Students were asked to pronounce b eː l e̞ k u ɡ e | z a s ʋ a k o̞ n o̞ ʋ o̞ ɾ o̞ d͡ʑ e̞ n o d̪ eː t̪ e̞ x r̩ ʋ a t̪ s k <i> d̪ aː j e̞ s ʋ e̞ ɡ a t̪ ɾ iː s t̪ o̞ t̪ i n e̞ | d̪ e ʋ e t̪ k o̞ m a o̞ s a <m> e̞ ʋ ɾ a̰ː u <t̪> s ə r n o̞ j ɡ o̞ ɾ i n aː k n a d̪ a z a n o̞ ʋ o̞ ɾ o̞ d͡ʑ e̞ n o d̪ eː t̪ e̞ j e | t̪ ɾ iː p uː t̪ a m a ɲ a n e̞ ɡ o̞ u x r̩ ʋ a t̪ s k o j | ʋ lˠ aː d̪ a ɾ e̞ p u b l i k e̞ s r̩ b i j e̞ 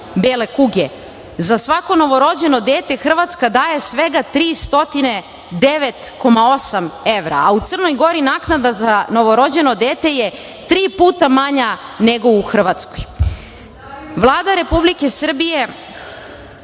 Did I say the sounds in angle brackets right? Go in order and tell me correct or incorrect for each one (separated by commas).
incorrect, correct, correct